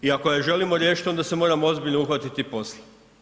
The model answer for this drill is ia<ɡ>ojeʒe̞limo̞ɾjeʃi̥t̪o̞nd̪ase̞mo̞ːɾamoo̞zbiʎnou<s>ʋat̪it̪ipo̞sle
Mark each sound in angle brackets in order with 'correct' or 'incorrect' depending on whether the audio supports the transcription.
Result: incorrect, incorrect

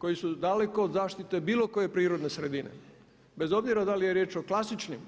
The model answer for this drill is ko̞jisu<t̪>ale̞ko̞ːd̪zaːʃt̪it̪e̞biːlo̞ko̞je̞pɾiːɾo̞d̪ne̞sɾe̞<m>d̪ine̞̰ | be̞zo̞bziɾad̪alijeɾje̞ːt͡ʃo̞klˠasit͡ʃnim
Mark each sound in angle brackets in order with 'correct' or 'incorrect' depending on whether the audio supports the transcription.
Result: incorrect, incorrect

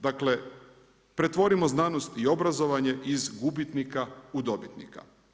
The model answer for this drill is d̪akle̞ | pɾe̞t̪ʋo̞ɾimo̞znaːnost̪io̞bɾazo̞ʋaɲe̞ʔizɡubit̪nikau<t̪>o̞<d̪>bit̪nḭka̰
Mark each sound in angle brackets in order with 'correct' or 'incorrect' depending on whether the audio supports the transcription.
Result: incorrect, incorrect

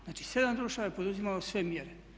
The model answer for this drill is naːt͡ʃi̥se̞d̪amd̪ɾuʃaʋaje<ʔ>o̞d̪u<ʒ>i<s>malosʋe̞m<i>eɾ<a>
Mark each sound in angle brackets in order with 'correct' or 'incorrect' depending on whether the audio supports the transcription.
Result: incorrect, incorrect, incorrect, incorrect, incorrect

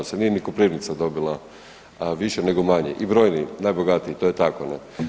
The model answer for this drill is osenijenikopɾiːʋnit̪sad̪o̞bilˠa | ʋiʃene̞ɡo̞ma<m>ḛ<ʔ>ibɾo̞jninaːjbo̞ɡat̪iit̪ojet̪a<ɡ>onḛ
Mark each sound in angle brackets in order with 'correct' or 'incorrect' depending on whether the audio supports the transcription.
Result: incorrect, correct, incorrect

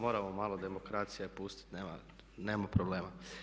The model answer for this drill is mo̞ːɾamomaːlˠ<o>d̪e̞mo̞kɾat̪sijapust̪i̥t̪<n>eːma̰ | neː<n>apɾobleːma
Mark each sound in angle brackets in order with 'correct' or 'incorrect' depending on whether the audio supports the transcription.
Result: correct, correct, incorrect

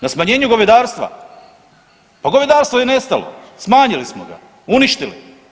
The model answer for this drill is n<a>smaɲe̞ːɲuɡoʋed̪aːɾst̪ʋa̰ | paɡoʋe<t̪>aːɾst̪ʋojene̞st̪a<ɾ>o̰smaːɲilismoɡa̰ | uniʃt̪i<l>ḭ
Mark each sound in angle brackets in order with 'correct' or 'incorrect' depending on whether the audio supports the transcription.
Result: correct, incorrect, incorrect, correct

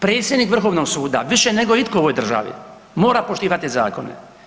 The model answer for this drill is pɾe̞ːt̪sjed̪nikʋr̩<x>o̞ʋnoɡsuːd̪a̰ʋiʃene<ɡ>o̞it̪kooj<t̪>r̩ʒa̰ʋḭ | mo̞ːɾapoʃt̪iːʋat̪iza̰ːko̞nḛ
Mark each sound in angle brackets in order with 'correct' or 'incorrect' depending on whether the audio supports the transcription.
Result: correct, correct, incorrect

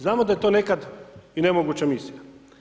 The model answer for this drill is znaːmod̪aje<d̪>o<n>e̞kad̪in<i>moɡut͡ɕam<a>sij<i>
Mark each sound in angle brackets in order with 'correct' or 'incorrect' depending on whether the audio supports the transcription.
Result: incorrect, correct, incorrect, incorrect, incorrect

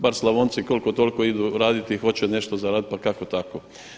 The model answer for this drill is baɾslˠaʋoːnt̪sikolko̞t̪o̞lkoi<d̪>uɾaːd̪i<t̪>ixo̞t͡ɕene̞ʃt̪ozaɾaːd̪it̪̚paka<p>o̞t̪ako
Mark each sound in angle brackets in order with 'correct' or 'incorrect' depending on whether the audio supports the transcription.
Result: correct, correct, incorrect

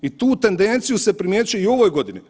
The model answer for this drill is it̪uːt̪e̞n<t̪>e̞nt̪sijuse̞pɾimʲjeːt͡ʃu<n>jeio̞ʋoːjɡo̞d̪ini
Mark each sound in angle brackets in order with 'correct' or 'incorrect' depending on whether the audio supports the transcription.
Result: incorrect, incorrect

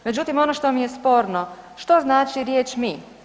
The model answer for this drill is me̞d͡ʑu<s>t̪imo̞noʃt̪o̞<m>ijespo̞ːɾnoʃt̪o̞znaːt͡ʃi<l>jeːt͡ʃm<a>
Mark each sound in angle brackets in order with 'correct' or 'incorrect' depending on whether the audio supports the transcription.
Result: incorrect, correct, incorrect, incorrect

